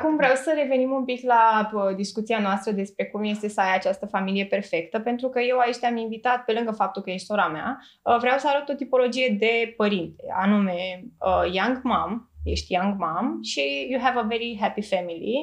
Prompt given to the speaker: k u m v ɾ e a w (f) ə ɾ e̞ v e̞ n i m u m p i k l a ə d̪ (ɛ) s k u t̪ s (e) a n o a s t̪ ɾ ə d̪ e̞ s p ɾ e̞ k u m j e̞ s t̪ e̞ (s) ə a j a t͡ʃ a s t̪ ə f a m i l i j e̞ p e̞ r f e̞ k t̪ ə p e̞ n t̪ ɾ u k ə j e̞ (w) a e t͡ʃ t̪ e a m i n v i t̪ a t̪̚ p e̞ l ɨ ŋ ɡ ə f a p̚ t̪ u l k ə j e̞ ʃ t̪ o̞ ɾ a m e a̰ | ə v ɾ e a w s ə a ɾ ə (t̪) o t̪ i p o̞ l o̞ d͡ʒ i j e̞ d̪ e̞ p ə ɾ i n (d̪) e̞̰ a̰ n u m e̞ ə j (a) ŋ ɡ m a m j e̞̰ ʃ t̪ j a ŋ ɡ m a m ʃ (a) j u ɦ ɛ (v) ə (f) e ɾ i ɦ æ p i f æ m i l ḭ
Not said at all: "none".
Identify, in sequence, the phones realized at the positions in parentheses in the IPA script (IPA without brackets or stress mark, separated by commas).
s, i, i, s, w, t̪, t̪, a, i, v, v